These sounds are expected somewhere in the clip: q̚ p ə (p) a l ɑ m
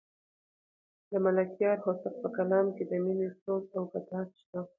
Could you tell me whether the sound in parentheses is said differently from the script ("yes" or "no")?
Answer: yes